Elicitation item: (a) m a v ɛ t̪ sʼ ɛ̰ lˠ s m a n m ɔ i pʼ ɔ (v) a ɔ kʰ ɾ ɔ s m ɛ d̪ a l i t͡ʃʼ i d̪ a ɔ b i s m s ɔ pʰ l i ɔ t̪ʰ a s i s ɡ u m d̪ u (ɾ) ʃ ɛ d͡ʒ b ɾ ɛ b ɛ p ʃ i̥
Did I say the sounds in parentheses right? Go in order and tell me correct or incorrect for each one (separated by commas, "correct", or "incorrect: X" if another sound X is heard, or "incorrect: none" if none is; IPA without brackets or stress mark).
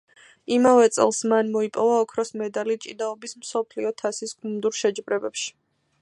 incorrect: i, correct, correct